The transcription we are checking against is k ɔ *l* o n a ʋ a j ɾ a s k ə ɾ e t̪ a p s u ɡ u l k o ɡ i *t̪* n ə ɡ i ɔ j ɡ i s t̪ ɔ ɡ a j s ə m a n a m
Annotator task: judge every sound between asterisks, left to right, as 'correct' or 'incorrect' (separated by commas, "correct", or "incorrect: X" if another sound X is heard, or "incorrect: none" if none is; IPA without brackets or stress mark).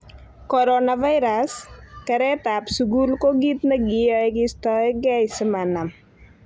incorrect: ɾ, correct